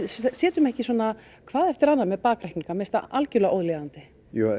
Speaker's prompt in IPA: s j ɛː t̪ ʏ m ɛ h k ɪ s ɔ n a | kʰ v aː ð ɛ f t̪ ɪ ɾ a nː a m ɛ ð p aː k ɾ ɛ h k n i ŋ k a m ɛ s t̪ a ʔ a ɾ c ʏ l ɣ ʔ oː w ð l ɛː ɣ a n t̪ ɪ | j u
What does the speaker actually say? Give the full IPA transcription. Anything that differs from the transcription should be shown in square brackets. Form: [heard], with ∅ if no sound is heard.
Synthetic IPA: s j ɛː t̪ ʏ m ɛ h [c] ɪ s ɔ n a | kʰ v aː ð ɛ f t̪ ɪ ɾ a nː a m ɛ ð p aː k ɾ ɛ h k n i ŋ k a m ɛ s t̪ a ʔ a [l] c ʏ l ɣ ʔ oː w ð l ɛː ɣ a n t̪ ɪ | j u